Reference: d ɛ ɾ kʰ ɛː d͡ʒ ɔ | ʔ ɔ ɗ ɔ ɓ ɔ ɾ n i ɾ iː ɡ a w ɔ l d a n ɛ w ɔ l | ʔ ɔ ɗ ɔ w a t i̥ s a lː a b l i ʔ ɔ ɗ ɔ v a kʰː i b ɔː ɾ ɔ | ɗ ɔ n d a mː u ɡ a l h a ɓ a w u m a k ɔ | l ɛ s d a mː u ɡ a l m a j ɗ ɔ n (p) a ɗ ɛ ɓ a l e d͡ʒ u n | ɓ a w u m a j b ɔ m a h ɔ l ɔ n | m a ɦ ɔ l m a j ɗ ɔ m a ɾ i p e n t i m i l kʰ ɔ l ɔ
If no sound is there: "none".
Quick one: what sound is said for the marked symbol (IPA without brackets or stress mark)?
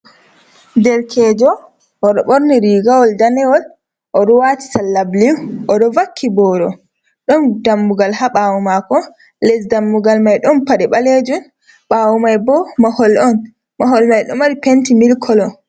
p